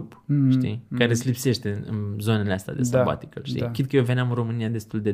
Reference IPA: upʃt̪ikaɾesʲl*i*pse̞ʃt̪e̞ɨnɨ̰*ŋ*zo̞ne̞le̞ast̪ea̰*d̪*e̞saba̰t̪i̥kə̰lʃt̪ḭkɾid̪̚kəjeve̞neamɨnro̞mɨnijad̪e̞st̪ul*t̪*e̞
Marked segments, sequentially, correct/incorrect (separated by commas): correct, incorrect, correct, incorrect